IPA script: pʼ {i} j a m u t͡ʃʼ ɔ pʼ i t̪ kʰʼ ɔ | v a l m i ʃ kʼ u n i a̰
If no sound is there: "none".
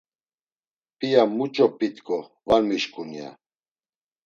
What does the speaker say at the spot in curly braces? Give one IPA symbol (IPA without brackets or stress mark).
i